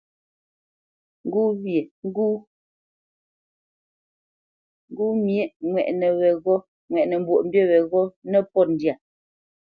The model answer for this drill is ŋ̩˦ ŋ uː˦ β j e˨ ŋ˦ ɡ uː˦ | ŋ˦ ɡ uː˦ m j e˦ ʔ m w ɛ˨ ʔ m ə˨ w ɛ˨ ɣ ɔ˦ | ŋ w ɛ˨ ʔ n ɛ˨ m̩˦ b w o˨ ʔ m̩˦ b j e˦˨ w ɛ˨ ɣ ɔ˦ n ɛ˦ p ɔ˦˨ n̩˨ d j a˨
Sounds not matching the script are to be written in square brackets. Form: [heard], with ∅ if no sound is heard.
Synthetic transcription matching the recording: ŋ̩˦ [ɡ] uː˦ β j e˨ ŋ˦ ɡ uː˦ | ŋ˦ ɡ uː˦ m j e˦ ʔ [ŋ] w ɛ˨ ʔ [n] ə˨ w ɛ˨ ɣ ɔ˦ | ŋ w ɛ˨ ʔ n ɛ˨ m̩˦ b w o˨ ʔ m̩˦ b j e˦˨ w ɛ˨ ɣ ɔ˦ n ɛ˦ p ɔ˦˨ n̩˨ d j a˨

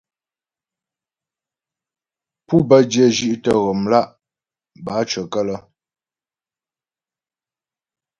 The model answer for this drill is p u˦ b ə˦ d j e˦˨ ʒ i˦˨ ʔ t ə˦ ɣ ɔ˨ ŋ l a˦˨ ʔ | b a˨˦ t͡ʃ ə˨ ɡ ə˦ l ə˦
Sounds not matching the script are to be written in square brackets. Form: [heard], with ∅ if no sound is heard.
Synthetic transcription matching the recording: p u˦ b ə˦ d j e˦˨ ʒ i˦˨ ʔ t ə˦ ɣ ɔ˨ [m] l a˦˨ ʔ | b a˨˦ t͡ʃ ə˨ [k] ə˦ l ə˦

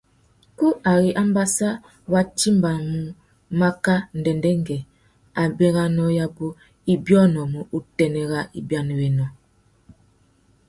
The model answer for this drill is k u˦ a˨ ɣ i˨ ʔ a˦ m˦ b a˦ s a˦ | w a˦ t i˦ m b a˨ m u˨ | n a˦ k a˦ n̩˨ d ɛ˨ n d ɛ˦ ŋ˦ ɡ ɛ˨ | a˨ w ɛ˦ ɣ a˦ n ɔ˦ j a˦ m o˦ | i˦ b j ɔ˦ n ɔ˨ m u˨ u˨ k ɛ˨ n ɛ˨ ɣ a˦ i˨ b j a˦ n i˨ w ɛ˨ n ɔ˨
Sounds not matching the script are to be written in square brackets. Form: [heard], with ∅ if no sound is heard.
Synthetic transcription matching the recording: k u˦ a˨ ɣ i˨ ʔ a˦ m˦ b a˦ s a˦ | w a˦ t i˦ m b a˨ m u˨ | [m] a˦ k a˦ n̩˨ d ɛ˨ n d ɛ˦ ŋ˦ ɡ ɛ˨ | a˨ [b] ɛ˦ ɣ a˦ n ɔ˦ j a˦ [b] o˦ | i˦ b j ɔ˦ n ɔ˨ m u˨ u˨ [t] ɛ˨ n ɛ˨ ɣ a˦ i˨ b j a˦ n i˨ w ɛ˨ n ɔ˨

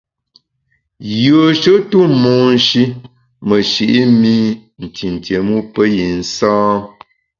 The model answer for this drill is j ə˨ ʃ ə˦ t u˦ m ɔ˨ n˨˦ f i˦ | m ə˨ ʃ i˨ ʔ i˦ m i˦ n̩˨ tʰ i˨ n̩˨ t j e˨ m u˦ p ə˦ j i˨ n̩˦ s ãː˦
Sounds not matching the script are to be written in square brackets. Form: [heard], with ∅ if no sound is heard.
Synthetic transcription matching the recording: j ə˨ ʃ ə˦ t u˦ m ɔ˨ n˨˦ [ʃ] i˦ | m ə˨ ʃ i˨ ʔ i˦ m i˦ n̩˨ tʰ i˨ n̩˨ t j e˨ m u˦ p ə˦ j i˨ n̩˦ s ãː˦

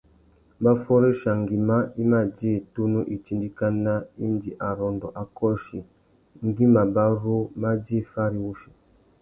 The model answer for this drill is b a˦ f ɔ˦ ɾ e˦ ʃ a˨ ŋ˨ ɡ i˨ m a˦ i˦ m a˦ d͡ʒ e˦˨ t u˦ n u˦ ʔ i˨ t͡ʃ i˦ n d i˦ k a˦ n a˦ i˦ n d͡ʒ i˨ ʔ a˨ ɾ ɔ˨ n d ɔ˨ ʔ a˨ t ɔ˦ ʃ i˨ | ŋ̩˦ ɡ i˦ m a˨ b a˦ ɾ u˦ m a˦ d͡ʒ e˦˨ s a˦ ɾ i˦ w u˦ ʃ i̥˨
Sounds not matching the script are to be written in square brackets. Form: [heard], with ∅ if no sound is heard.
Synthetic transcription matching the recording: b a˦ f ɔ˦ ɾ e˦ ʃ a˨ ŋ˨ ɡ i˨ m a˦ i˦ m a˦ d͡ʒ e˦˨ t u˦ n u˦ ʔ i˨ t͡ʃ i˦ n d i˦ k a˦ n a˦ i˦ n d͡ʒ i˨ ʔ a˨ ɾ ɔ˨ n d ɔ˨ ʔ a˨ [k] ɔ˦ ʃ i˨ | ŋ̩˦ ɡ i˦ m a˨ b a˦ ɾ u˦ m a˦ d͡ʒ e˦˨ [f] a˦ ɾ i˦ w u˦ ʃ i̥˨

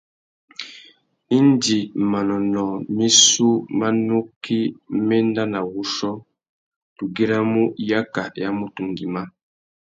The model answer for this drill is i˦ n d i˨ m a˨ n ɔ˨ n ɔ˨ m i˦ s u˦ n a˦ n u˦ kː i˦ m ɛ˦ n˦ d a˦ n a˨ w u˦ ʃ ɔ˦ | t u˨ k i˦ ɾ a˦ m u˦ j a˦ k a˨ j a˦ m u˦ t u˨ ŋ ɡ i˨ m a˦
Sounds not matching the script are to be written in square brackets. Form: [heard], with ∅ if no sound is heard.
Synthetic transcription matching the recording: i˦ n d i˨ m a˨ n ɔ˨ n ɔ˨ m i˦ s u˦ [m] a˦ n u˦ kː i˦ m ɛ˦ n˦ d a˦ n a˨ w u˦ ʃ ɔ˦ | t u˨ [ɡ] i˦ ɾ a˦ m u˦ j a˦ k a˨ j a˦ m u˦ t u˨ ŋ ɡ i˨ m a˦

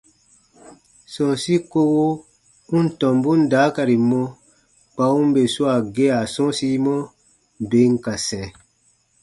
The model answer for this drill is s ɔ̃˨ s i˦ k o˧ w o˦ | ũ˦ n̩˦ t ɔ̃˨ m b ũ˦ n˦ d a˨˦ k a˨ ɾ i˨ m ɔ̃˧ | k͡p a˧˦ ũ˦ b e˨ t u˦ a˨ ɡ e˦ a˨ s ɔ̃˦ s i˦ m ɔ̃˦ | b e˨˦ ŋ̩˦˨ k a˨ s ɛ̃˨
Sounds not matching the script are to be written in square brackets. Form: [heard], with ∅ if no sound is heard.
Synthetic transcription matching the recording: s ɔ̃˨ s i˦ k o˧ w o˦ | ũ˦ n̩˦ t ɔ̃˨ m b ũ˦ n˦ d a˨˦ k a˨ ɾ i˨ m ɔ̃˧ | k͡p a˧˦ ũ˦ b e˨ [s] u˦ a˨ ɡ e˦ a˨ s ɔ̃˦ s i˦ m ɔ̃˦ | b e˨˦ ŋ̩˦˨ k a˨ s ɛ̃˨

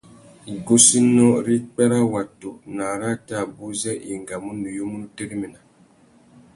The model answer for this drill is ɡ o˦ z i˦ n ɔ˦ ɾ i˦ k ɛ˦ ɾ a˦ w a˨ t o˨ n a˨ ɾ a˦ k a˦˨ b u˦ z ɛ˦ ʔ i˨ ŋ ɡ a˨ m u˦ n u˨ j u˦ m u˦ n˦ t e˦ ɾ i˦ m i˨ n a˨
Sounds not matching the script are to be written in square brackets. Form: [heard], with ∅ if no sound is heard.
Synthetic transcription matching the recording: ɡ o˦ [s] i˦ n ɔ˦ ɾ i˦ [k͡p] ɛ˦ ɾ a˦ w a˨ t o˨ n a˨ ɾ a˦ [t] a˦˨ b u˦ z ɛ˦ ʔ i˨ ŋ ɡ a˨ m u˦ n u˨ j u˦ m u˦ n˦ t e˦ ɾ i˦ m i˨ n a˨

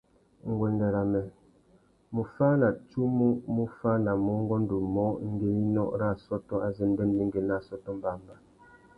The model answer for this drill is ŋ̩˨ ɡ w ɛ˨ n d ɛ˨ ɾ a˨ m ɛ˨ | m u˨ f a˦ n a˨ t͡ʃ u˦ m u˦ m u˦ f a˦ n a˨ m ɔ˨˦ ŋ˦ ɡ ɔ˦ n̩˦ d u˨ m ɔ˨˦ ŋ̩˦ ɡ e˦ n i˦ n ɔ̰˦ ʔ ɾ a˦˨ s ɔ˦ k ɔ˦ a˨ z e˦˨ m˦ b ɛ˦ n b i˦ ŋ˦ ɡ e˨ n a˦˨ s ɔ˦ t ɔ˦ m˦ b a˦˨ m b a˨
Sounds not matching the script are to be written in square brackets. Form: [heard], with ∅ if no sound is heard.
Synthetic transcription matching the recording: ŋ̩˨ ɡ w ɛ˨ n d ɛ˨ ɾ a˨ m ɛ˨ | m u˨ f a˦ n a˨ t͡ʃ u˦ m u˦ m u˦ f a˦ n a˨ m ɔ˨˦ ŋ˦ ɡ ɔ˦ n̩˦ d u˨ m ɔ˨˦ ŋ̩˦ ɡ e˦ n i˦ n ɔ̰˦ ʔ ɾ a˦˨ s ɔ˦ [t] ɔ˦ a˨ z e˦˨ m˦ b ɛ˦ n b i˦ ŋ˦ ɡ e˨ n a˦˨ s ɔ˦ t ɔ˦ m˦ b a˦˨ m b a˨

